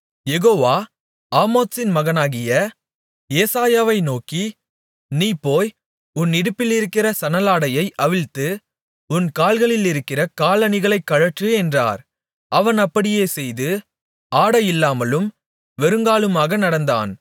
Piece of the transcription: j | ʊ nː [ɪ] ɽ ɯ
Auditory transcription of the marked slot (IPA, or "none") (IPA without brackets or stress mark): ɪ